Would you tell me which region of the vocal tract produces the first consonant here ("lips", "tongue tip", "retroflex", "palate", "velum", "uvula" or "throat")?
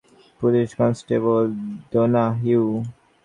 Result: lips